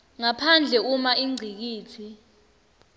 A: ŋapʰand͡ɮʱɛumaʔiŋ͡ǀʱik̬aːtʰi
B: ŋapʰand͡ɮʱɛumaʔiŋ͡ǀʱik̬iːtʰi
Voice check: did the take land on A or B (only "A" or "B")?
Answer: B